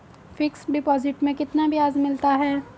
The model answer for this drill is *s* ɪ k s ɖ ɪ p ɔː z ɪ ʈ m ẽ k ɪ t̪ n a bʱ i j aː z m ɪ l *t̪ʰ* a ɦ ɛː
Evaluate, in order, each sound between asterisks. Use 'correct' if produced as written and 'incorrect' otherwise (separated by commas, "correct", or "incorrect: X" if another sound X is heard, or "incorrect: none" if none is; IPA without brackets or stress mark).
incorrect: f, incorrect: t̪